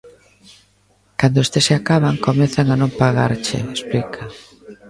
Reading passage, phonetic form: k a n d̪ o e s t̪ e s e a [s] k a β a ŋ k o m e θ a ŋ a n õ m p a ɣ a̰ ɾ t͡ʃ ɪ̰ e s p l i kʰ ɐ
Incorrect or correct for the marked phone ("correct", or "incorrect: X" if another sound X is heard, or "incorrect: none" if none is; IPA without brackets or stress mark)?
incorrect: none